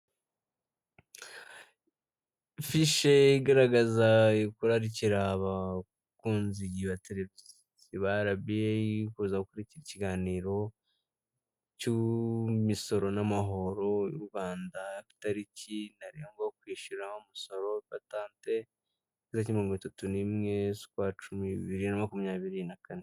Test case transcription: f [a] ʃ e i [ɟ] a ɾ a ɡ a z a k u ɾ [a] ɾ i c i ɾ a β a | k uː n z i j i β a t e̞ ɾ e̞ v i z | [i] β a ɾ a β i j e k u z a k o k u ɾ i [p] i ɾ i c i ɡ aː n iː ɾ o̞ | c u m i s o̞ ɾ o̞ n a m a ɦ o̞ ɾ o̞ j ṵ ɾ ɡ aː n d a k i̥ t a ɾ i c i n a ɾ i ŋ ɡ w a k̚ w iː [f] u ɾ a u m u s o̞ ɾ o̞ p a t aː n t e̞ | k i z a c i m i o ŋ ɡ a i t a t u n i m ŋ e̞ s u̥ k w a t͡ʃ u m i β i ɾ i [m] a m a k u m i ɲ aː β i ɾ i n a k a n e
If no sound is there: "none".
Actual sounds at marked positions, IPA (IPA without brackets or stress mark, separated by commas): i, ɡ, a, i, c, ʃ, n